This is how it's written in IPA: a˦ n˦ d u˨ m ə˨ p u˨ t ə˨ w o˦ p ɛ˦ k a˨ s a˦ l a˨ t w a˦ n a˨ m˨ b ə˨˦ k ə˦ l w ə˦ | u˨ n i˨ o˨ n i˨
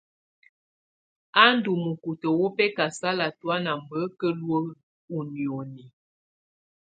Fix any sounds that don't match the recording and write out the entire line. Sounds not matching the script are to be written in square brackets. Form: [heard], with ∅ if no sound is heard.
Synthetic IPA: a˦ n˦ d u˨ m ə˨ [k] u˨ t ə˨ w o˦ p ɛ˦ k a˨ s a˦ l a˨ t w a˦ n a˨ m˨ b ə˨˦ k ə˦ l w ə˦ | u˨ n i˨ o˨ n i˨